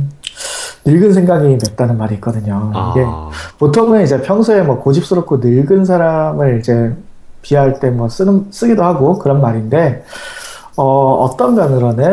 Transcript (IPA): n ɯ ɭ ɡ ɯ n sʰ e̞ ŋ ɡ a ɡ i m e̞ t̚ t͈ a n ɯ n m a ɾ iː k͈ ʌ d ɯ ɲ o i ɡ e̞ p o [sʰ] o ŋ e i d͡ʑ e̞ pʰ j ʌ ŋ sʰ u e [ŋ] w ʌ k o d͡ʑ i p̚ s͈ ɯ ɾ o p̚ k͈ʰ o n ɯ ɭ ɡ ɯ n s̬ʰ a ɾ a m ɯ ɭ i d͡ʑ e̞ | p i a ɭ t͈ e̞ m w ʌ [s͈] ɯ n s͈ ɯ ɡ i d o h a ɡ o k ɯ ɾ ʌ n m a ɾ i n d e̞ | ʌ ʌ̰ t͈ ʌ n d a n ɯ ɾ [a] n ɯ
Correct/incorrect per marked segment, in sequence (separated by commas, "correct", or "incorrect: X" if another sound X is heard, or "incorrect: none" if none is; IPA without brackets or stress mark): incorrect: tʰ, incorrect: m, correct, incorrect: ʌ